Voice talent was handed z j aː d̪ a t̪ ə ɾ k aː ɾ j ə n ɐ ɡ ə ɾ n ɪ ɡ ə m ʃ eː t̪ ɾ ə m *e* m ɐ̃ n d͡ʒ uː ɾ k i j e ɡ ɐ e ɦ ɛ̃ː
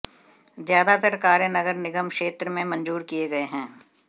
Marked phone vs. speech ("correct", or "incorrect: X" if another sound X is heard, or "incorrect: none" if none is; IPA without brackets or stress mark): incorrect: ẽ